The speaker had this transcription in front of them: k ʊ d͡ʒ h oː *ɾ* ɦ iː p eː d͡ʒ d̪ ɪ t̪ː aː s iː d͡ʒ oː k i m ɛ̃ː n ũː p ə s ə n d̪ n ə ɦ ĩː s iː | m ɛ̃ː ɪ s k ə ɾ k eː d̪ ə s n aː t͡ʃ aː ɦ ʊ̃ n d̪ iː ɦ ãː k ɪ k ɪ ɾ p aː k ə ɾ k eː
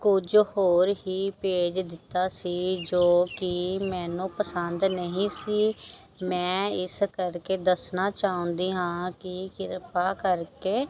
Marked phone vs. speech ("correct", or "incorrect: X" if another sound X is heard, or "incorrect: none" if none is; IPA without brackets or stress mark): correct